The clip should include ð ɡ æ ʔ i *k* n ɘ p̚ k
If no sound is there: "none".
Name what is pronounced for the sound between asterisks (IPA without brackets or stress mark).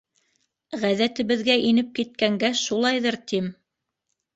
none